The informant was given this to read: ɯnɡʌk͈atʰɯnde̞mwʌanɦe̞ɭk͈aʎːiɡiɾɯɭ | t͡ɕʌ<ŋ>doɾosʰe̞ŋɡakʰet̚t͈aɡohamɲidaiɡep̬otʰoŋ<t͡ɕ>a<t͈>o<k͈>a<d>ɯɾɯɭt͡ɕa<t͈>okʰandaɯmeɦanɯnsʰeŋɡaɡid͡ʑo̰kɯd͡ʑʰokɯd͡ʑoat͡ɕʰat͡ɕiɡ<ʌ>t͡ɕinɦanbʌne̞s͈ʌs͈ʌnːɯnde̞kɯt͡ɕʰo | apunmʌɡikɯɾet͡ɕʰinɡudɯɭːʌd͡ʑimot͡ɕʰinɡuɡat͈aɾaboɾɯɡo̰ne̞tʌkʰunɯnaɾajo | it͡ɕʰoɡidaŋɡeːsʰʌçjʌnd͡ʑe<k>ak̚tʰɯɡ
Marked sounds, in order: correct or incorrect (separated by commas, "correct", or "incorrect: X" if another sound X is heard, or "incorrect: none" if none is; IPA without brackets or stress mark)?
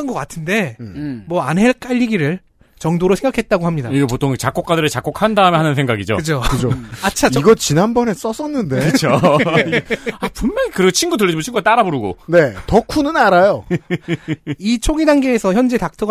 correct, correct, incorrect: k͈, correct, correct, incorrect: k͈, correct, incorrect: t